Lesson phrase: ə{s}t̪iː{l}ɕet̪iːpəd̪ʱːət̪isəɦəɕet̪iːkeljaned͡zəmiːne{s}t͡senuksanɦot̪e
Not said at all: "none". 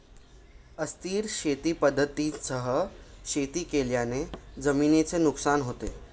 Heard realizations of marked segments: s, ɾ, none

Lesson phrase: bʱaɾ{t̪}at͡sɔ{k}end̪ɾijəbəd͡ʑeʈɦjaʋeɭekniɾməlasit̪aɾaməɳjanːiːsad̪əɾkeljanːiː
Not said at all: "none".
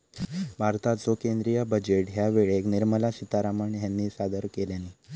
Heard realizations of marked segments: t̪, k

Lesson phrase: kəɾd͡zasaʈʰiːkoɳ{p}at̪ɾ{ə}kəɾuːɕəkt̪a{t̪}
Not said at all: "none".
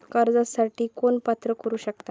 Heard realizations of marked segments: p, ə, none

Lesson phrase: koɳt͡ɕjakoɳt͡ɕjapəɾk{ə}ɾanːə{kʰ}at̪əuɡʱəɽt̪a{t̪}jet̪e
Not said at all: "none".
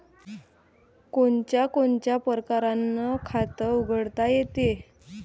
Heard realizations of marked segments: a, kʰ, none

